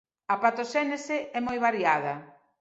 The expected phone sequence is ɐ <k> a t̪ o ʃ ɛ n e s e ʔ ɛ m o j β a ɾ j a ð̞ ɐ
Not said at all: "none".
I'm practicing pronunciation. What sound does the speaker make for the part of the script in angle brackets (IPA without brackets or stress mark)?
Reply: p